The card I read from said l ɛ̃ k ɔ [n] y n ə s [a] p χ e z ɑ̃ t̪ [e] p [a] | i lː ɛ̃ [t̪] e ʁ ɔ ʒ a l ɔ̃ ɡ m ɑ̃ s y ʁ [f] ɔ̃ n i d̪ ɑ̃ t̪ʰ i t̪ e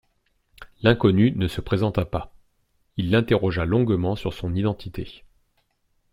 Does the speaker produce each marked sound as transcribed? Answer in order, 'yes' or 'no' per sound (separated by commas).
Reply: yes, no, no, yes, yes, no